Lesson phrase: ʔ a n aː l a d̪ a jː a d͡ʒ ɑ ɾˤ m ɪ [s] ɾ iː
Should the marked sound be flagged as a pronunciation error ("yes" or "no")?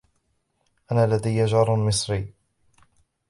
no